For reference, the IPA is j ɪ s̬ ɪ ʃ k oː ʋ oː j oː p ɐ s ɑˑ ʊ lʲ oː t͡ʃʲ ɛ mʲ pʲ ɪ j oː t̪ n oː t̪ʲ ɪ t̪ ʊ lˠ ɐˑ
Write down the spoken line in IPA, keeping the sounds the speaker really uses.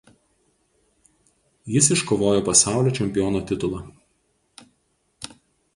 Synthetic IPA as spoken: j ɪ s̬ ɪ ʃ k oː ʋ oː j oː p ɐ s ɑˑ ʊ lʲ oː t͡ʃʲ ɛ mʲ pʲ ɪ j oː n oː t̪ʲ ɪ t̪ ʊ lˠ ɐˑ